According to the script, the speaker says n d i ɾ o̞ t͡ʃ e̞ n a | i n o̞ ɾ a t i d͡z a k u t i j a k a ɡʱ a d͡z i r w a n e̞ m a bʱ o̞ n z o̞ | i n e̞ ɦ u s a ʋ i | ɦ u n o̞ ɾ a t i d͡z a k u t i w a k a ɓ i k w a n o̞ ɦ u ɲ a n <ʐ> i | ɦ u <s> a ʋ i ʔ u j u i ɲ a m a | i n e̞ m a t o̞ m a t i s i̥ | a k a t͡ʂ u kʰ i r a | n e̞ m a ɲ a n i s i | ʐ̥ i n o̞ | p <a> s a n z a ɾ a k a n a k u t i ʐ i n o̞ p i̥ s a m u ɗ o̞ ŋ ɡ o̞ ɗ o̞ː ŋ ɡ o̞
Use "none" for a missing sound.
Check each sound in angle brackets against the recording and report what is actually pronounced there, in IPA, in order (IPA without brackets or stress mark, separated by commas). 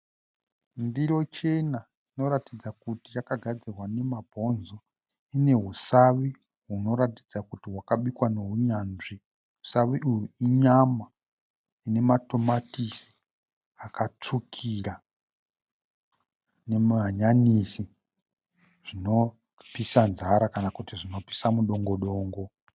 ʐ, s, i